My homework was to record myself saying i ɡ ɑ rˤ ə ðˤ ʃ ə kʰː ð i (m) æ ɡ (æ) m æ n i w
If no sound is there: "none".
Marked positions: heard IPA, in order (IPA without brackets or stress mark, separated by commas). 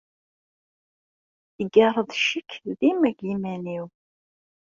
m, i